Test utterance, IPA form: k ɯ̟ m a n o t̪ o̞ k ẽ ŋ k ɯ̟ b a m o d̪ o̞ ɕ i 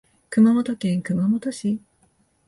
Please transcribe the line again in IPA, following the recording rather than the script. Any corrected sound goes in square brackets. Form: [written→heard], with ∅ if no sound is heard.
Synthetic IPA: k ɯ̟ m a [n→m] o t̪ o̞ k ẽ ŋ k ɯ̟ [b→m] a m o [d̪→t̪] o̞ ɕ i

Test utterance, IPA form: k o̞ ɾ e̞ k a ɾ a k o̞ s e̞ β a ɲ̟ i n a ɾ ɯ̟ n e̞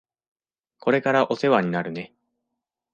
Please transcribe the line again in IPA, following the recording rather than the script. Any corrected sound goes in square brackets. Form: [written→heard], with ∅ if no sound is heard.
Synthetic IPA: k o̞ ɾ e̞ k a ɾ a [k→ʔ] o̞ s e̞ β a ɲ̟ i n a ɾ ɯ̟ n e̞

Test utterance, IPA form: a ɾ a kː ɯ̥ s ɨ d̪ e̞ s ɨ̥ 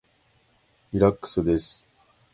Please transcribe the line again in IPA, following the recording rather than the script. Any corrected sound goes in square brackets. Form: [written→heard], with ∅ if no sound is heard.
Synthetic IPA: [a→i] ɾ a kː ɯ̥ s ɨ d̪ e̞ s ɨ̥

